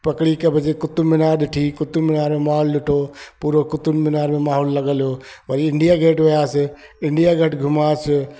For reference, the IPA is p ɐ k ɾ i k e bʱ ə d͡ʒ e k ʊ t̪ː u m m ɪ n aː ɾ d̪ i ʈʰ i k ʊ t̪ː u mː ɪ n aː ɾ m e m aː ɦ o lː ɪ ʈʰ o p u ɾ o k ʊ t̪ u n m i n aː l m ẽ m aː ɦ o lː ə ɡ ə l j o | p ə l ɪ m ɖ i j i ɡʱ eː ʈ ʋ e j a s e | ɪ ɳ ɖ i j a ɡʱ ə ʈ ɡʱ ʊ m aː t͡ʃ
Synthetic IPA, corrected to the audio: p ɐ k ɽ i k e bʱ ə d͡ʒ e k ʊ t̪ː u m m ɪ n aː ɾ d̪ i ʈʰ i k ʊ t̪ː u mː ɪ n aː ɾ m e m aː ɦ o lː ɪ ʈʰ o p u ɾ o k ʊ t̪ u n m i n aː ɾ m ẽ m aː ɦ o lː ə ɡ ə l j o | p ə ɾ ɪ ɳ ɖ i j a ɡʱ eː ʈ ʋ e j a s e | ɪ ɳ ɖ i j a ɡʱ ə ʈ ɡʱ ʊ m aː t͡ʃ